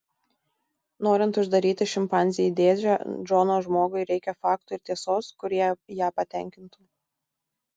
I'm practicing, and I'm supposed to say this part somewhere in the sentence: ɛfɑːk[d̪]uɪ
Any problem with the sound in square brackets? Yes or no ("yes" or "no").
yes